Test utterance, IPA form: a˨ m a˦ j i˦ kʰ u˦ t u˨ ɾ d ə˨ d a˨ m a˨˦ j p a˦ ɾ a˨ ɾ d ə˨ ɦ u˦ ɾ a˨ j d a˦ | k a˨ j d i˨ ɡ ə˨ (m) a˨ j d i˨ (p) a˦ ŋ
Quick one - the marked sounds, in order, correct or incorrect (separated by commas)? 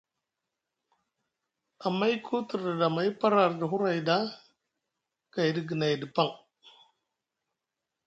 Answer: incorrect, correct